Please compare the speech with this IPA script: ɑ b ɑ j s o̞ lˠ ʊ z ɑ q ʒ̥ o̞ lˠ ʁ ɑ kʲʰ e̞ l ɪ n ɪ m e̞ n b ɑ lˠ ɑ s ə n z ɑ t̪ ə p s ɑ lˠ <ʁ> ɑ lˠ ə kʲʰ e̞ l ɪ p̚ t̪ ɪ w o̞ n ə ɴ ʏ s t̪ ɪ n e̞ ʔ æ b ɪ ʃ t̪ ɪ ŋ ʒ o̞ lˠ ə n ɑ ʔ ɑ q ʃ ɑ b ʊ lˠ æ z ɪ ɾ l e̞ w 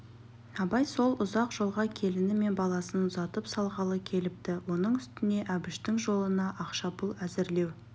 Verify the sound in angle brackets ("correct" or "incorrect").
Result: correct